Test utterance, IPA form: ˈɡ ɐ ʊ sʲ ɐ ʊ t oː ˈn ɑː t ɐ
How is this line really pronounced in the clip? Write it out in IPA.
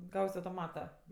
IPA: ˈɡ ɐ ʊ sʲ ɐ ʊ t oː ˈm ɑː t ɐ